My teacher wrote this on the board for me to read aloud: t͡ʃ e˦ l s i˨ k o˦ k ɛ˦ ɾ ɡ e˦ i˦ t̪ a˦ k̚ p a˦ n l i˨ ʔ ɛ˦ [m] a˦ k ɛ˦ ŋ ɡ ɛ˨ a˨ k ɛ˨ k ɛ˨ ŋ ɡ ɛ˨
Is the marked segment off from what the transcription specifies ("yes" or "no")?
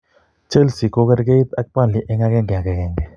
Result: yes